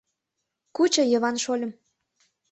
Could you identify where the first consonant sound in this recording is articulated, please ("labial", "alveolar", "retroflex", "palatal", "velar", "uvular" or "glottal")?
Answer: velar